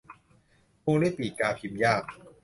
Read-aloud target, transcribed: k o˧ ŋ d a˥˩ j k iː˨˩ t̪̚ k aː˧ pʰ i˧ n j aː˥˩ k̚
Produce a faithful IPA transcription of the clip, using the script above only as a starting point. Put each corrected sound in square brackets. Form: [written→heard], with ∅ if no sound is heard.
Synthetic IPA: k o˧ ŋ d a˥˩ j [k→p] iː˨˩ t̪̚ k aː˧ pʰ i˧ [n→m] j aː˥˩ k̚

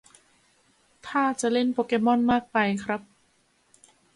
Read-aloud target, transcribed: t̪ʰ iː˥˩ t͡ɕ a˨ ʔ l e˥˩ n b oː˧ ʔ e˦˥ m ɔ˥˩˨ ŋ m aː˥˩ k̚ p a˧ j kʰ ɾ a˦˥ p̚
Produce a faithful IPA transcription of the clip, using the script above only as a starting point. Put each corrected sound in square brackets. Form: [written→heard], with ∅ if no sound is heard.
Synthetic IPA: t̪ʰ [iː˥˩→aː˥˩] t͡ɕ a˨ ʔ l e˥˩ n [b→p] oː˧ [ʔ→k] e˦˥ m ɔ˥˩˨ [ŋ→n] m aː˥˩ k̚ p a˧ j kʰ ɾ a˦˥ p̚

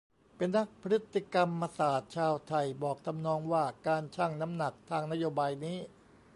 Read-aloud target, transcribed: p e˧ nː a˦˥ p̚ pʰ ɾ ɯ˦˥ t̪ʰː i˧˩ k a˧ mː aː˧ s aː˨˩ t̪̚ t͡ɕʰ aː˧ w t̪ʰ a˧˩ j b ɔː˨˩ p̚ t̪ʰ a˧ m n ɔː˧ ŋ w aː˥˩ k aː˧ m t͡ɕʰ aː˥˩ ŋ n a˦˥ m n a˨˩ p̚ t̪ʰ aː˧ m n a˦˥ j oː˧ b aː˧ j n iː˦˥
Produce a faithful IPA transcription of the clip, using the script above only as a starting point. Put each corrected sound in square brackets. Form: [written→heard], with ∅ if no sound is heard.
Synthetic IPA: p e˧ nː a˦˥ [p̚→k̚] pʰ ɾ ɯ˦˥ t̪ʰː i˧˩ k a˧ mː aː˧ s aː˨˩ t̪̚ t͡ɕʰ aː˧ w t̪ʰ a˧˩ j b ɔː˨˩ [p̚→k̚] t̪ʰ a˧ m n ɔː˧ ŋ w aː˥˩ k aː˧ [m→n] t͡ɕʰ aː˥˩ ŋ n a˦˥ m n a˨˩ [p̚→k̚] t̪ʰ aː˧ [m→ŋ] n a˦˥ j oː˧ b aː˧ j n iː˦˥

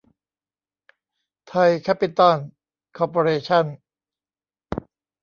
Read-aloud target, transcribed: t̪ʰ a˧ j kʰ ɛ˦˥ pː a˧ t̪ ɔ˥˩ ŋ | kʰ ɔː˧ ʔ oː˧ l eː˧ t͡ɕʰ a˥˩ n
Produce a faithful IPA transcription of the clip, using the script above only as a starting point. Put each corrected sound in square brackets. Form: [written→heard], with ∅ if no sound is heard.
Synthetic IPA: t̪ʰ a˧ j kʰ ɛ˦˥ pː [a˧→i˧] t̪ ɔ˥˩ [ŋ→n] | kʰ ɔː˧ [ʔ→p] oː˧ [l→ɾ] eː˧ t͡ɕʰ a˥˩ n

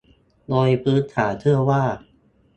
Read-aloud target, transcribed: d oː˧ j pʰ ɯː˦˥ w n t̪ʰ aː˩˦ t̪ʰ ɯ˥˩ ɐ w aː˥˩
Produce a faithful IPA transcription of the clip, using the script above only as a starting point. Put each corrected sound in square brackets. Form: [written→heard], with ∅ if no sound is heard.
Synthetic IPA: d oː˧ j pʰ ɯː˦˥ [w→∅] n t̪ʰ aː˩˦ t̪ʰ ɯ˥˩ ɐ w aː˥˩

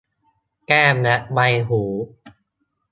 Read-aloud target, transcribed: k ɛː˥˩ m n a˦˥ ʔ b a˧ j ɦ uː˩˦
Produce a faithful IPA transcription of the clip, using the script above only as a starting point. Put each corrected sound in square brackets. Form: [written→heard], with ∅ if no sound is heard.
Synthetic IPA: k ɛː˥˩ m n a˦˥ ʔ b a˧ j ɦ uː˩˦

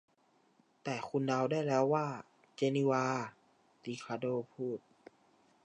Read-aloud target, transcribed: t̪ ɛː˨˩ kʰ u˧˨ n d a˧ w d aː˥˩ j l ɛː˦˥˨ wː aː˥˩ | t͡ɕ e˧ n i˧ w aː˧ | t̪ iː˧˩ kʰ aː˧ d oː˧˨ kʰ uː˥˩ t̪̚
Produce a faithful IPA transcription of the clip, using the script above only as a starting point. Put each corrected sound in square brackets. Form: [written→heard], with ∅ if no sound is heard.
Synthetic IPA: t̪ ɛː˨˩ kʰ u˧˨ n d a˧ w d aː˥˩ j l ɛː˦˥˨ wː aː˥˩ | t͡ɕ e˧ n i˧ w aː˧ | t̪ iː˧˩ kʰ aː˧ d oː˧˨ [kʰ→pʰ] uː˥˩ t̪̚

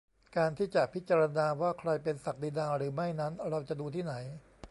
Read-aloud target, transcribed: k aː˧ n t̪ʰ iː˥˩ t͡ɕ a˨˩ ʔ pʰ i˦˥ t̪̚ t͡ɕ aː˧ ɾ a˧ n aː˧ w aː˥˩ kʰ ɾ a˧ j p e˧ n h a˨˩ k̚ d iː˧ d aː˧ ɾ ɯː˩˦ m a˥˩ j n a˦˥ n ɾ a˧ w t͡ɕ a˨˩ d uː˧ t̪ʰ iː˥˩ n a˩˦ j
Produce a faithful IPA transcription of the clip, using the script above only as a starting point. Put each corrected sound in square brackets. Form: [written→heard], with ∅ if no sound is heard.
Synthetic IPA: k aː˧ n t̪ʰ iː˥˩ t͡ɕ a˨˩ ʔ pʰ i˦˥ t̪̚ t͡ɕ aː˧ ɾ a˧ n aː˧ w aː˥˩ kʰ ɾ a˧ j p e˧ n [h→s] a˨˩ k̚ d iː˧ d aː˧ ɾ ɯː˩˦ m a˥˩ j n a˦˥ n ɾ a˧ w t͡ɕ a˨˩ d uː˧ t̪ʰ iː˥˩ n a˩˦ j

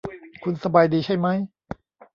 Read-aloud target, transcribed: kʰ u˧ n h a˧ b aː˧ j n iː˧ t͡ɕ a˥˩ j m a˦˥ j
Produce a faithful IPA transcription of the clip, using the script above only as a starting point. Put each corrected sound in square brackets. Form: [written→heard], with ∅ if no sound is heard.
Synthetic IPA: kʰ u˧ n [h→s] a˧ b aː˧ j [n→d] iː˧ [t͡ɕ→t͡ɕʰ] a˥˩ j m a˦˥ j

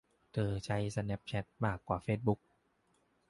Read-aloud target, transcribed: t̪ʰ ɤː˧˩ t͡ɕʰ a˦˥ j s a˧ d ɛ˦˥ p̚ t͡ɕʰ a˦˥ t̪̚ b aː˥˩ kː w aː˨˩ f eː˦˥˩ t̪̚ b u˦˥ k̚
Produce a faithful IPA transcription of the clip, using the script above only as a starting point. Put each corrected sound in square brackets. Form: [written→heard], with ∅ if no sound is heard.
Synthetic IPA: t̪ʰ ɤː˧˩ t͡ɕʰ a˦˥ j s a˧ [d→n] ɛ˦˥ p̚ t͡ɕʰ [a˦˥→ɛ˦˥] t̪̚ [b→m] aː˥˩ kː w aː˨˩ f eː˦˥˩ t̪̚ b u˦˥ k̚

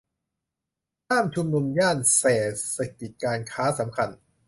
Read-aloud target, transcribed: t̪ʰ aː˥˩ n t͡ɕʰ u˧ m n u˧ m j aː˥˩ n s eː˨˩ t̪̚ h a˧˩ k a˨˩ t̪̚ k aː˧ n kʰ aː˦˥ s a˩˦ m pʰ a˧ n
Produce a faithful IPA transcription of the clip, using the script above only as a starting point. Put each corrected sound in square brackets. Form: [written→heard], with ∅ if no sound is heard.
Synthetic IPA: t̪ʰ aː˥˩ [n→m] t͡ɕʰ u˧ m n u˧ m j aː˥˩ n s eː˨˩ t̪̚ [h→s] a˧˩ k [a˨˩→i˨˩] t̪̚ k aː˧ n kʰ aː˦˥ s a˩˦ m [pʰ→kʰ] a˧ n

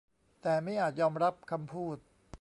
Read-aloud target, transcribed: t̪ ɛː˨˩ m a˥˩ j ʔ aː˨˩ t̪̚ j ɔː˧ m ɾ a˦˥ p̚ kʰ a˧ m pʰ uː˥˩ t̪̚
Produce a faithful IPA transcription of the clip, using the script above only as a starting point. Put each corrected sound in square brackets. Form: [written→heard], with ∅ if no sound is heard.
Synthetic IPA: t̪ ɛː˨˩ m a˥˩ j ʔ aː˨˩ t̪̚ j ɔː˧ m ɾ a˦˥ p̚ kʰ a˧ m pʰ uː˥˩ t̪̚

